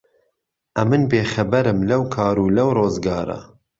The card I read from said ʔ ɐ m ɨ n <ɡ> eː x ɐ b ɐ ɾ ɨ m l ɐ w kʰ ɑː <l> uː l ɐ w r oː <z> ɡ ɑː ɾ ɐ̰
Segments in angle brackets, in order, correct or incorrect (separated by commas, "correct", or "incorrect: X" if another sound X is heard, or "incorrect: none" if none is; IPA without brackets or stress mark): incorrect: b, incorrect: ɾ, correct